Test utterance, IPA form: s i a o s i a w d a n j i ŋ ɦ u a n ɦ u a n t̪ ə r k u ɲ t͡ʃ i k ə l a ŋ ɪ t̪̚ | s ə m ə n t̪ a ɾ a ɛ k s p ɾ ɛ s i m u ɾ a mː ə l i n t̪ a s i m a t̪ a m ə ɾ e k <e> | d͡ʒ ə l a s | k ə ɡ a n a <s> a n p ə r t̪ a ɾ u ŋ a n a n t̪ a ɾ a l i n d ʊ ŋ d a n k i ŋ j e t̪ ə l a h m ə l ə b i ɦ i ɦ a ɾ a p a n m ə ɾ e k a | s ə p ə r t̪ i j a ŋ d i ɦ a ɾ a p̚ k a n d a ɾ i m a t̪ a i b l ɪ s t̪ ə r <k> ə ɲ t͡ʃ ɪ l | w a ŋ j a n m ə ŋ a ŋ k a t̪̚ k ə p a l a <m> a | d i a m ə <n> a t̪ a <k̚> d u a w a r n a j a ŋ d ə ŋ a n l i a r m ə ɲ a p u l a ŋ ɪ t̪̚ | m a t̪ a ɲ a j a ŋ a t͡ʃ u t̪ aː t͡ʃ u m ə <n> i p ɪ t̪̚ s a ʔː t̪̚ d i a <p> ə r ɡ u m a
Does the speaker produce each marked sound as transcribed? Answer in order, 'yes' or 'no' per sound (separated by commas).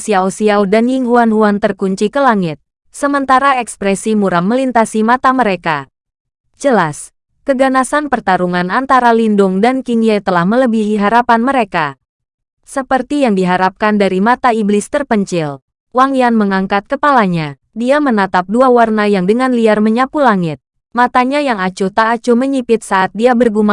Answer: no, yes, no, no, yes, no, no, no